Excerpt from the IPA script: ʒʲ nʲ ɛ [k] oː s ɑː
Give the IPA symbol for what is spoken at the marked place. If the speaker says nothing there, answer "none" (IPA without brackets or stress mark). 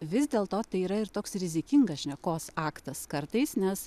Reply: k